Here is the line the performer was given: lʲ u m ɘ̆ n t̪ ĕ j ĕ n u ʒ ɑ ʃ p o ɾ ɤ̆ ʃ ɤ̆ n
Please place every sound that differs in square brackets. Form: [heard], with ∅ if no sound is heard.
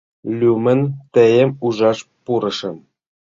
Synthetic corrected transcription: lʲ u m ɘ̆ n t̪ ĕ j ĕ [m] u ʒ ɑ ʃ p [u] ɾ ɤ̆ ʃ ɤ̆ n